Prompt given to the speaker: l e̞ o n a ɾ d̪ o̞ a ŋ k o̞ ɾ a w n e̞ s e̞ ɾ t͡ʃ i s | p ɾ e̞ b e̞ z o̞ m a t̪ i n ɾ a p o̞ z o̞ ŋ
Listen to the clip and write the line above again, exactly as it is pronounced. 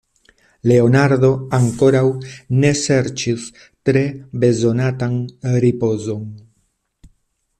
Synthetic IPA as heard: l e̞ o n a ɾ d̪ o̞ a ŋ k o̞ ɾ a w n e̞ s e̞ ɾ t͡ʃ i s | t ɾ e̞ b e̞ z o̞ n a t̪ a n ɾ i p o̞ z o̞ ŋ